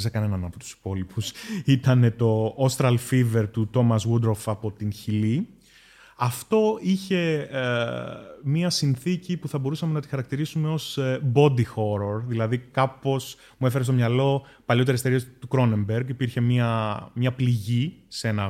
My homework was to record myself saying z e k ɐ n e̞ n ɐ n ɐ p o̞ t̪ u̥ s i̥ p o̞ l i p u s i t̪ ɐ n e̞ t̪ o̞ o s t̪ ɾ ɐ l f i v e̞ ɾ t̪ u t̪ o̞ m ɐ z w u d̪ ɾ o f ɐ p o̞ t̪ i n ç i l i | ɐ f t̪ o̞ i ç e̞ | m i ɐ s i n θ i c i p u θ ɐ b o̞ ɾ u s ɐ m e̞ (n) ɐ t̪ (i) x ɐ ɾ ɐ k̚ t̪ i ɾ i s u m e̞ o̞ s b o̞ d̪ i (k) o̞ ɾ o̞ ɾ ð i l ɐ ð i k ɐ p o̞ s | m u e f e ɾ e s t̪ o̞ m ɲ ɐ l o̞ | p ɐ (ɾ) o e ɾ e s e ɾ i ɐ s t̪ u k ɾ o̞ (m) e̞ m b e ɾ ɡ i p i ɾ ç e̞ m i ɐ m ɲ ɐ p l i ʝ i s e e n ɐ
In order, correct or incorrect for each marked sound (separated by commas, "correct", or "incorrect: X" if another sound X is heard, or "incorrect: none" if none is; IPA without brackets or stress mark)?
correct, correct, incorrect: x, incorrect: l, incorrect: n